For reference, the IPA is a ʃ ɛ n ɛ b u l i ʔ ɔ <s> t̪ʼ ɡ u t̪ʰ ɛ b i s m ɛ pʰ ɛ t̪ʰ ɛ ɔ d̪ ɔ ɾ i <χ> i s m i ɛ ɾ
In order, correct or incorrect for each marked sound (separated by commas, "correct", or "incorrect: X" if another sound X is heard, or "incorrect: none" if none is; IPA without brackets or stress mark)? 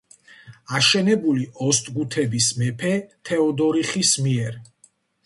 correct, correct